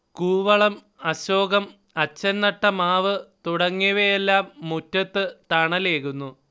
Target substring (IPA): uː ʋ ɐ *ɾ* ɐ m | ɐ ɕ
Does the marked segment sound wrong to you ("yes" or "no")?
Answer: yes